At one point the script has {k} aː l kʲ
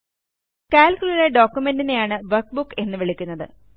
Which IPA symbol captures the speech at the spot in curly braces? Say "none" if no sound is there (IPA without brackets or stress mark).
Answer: k